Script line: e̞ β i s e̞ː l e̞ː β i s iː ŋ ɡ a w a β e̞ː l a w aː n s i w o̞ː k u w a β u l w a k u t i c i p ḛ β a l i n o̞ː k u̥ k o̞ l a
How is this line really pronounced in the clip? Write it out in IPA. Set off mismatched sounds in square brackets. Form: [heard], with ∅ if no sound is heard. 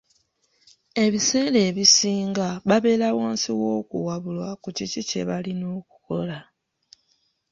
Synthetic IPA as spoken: e̞ β i s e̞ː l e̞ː β i s iː ŋ ɡ a [β] a β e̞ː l a w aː n s i w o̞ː k u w a β u l w a k u [c] i c i [c] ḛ β a l i n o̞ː k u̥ k o̞ l a